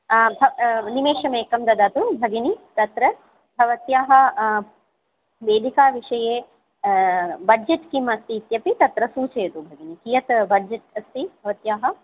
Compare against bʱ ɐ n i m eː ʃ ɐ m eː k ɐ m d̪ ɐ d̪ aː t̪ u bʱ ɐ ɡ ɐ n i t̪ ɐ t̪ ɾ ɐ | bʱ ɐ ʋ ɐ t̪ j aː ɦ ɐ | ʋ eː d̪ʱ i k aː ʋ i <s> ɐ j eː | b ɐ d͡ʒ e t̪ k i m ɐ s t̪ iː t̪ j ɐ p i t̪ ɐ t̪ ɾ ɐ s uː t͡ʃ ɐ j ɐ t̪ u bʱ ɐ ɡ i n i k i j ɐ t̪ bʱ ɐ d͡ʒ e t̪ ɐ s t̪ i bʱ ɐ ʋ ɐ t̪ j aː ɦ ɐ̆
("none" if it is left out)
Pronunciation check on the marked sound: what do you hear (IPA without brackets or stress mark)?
ʂ